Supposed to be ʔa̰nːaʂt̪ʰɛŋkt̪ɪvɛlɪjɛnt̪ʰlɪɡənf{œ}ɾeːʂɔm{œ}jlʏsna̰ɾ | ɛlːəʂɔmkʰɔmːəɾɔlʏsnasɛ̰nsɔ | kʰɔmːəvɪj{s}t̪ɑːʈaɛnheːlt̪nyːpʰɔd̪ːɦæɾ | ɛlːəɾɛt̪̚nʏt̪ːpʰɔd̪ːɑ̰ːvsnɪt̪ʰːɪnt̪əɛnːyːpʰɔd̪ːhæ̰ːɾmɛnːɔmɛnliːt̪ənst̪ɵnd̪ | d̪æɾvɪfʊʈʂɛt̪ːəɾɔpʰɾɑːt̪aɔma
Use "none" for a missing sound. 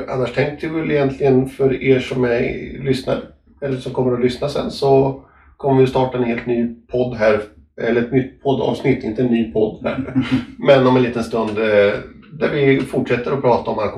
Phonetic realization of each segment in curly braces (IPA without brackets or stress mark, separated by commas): œ, ɛ, s